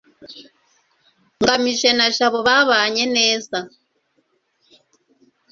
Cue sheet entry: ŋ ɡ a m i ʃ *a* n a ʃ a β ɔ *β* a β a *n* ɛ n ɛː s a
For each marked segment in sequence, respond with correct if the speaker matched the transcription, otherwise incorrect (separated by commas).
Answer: incorrect, correct, incorrect